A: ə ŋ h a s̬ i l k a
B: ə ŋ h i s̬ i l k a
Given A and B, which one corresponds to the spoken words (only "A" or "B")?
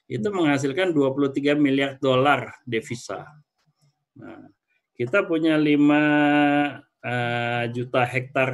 A